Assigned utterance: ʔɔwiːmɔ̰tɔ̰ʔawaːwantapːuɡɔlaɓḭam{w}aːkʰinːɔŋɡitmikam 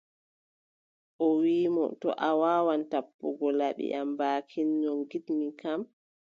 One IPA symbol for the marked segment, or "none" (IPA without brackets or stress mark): b